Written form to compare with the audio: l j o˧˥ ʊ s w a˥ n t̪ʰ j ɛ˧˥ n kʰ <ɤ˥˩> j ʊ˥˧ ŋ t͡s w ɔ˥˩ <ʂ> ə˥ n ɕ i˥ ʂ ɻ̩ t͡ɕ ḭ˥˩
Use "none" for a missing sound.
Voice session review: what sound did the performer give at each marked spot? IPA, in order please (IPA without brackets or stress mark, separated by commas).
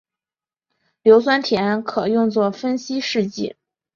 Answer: ɤ˨˩, f